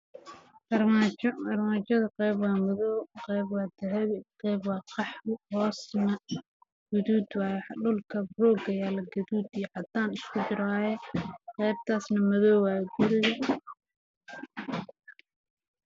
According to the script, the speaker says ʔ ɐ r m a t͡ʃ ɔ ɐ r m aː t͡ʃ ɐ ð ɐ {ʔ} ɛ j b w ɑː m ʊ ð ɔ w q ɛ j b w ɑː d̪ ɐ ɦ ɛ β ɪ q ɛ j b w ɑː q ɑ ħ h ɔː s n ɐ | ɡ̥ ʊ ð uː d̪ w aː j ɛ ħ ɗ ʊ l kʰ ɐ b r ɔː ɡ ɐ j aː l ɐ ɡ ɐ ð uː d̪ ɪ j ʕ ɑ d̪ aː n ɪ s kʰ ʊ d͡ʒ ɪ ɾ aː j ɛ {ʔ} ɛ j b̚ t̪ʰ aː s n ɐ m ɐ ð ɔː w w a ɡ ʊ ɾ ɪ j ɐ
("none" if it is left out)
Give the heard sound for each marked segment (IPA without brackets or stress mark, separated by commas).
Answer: q, q